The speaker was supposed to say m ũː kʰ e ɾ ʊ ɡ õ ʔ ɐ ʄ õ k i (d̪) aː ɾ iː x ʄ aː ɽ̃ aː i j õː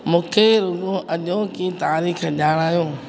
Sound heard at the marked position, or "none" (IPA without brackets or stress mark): t̪